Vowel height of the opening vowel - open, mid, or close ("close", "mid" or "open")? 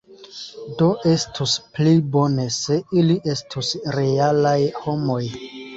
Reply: mid